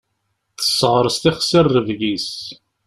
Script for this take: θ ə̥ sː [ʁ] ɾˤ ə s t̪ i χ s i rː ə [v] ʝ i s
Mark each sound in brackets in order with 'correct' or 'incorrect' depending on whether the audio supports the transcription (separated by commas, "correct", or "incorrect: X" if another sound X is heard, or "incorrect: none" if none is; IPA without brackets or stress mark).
correct, correct